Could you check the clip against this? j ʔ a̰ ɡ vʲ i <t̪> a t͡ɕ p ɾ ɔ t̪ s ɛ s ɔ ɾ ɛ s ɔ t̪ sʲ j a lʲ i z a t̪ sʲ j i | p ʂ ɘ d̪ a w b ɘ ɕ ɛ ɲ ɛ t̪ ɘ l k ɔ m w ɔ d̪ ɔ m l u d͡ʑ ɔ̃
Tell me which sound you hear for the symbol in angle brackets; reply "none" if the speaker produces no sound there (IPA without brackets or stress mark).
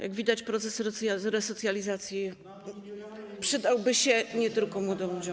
d̪